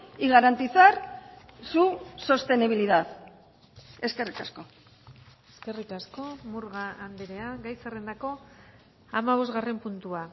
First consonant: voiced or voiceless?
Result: voiced